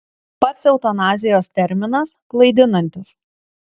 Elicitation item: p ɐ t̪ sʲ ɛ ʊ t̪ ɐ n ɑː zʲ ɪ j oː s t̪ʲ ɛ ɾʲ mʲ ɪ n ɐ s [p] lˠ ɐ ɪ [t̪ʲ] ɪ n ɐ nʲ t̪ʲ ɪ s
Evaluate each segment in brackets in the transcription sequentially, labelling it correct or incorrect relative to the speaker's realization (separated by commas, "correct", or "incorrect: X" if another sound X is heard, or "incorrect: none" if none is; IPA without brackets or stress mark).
incorrect: k, incorrect: d̪ʲ